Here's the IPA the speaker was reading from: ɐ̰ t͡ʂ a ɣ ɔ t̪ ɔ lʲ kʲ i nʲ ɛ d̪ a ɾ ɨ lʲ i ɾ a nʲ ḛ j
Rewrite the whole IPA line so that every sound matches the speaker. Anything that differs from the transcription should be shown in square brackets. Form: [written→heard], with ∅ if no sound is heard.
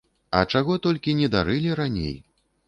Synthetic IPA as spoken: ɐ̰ t͡ʂ a ɣ ɔ t̪ ɔ lʲ kʲ i nʲ ɛ d̪ a ɾ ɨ lʲ i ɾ a nʲ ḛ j